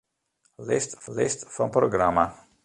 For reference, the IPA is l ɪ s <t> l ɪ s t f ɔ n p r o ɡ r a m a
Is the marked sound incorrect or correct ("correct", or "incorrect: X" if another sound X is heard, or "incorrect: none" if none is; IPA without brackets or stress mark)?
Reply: correct